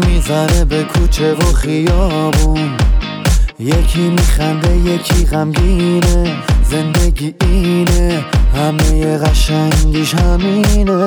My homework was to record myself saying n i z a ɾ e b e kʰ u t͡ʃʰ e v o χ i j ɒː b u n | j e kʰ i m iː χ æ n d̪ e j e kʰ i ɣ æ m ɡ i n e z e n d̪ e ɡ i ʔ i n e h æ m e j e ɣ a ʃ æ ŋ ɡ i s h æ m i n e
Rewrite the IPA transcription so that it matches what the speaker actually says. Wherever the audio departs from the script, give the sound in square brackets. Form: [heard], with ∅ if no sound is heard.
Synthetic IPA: [m] i z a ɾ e b e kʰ u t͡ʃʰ e v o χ i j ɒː b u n | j e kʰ i m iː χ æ n d̪ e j e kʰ i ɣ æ m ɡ i n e z e n d̪ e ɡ i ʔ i n e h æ m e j e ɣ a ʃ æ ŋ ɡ i [ʃ] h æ m i n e